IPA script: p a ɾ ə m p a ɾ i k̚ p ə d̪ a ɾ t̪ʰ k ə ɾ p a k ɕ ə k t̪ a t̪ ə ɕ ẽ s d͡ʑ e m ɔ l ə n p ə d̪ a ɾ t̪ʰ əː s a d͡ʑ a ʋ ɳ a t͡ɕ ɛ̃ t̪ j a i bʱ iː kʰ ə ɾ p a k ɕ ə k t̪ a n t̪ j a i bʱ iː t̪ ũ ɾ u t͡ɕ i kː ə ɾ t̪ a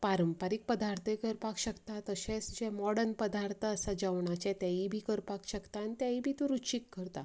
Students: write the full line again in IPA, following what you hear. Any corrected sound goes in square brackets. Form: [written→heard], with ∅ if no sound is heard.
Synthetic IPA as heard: p a ɾ ə m p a ɾ i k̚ p ə d̪ a ɾ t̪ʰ k ə ɾ p a k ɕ ə k t̪ a t̪ ə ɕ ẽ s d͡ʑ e m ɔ [l→ɽ] ə n p ə d̪ a ɾ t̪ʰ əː s a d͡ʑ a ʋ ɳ a t͡ɕ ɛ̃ t̪ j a i bʱ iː [kʰ→k] ə ɾ p a k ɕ ə k t̪ a n t̪ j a i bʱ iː t̪ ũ ɾ u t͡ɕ i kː ə ɾ t̪ a